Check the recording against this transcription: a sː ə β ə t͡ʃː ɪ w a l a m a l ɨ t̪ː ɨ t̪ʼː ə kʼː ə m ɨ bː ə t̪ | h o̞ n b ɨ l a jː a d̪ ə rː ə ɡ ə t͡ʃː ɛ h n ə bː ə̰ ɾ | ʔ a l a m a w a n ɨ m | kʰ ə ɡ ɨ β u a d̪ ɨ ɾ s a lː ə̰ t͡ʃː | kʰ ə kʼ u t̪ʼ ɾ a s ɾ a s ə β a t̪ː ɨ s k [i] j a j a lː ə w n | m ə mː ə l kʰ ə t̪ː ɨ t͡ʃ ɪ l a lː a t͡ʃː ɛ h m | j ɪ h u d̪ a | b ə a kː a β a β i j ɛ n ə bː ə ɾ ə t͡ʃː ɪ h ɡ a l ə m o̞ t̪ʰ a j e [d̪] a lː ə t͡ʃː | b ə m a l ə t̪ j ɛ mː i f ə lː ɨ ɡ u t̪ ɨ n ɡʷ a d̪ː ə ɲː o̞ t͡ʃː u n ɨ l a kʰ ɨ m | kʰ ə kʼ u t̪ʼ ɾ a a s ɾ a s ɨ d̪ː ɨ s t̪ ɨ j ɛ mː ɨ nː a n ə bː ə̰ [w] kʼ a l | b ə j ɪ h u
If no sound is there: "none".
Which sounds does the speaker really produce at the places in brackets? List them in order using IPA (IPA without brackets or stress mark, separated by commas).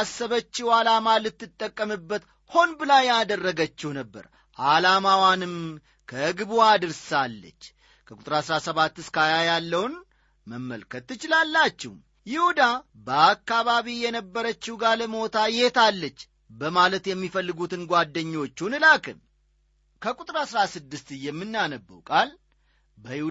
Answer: a, t̪, w